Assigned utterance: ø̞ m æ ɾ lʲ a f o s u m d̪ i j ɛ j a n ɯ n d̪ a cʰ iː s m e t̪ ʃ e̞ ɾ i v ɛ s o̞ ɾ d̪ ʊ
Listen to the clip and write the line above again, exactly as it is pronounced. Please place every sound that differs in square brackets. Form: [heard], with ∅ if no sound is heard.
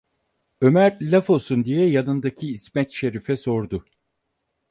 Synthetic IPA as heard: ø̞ m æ ɾ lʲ a f o s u [n] d̪ i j ɛ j a n ɯ n d̪ a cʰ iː s m [ɛ] t̪ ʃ e̞ ɾ i [f] ɛ s o̞ ɾ d̪ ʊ